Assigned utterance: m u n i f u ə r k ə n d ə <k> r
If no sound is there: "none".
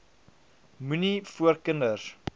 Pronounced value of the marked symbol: none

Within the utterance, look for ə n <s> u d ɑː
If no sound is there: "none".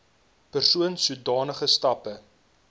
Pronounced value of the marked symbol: s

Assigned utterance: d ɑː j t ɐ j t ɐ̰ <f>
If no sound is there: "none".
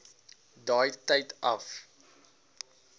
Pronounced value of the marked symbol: f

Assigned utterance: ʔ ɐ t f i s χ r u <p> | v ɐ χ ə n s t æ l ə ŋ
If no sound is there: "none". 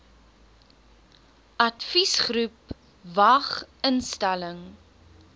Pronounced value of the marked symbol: p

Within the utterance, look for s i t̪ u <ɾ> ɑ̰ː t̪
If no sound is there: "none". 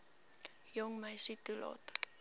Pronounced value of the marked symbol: l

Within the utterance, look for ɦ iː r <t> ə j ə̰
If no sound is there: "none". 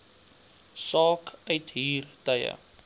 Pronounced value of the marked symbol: t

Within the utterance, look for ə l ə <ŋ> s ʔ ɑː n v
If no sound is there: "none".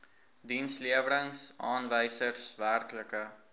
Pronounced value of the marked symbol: ŋ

